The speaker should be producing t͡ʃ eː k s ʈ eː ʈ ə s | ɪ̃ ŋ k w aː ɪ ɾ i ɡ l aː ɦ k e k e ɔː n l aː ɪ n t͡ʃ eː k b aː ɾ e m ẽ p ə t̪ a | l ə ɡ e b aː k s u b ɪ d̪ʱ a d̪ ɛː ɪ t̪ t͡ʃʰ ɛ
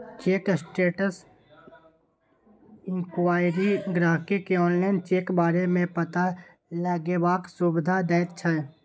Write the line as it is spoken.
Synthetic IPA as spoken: t͡ʃ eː k s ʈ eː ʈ ə s | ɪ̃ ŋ k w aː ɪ ɾ i ɡ ɾ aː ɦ k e k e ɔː n l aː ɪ n t͡ʃ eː k b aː ɾ e m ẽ p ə t̪ a | l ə ɡ e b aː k s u b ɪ d̪ʱ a d̪ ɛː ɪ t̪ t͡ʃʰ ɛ